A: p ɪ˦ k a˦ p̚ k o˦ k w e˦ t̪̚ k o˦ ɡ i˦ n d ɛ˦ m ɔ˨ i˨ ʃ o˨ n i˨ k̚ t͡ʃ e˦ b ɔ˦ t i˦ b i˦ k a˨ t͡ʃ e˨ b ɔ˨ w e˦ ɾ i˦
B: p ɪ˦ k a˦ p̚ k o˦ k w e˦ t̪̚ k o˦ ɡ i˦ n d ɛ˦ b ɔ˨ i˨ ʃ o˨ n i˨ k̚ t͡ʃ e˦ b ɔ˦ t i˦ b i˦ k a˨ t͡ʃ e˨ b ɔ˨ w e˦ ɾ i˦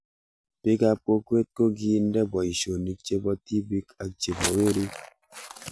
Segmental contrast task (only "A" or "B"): B